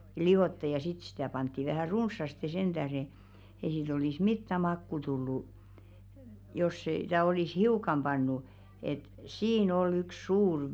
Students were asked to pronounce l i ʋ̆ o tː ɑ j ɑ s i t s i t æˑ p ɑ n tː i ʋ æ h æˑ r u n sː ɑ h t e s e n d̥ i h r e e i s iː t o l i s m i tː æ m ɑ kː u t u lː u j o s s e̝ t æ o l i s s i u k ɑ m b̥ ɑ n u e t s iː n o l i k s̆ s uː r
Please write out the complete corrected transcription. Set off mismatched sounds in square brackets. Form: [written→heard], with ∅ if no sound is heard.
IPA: l i ʋ̆ o tː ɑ j ɑ s i t s i t æˑ p ɑ n tː i ʋ æ h æˑ r u n sː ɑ [h→s] t e s e n d̥ [i→æ] h r e e i s iː t o l i s m i tː æ m ɑ kː u t u lː u j o s s e̝ t æ o l i s [s→h] i u k ɑ m b̥ ɑ [n→nː] u e t s iː n o l [i→y] k s̆ s uː r